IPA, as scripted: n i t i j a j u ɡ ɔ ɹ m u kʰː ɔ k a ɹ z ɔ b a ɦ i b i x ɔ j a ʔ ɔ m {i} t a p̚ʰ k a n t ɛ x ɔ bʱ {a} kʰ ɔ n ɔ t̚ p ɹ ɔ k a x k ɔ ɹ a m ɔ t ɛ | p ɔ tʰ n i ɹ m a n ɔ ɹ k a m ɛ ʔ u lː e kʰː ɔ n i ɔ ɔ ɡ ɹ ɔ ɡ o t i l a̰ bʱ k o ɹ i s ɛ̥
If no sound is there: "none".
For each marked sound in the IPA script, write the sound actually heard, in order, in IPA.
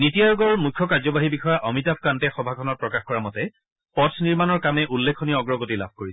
i, a

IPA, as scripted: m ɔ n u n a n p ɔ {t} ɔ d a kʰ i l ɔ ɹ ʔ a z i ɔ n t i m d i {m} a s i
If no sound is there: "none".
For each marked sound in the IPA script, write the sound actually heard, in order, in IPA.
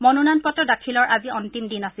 t, n

